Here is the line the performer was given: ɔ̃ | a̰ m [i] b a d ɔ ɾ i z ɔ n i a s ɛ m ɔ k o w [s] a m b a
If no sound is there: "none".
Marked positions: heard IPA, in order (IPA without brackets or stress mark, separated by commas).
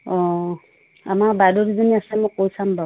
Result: a, s